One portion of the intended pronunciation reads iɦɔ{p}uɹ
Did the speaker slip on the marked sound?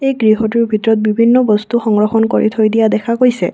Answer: yes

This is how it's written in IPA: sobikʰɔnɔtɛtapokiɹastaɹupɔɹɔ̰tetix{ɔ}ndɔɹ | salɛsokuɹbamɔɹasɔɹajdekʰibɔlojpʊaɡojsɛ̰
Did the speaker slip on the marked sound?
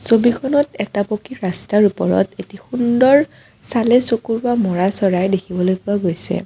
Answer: yes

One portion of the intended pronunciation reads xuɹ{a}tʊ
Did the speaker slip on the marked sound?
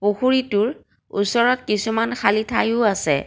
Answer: yes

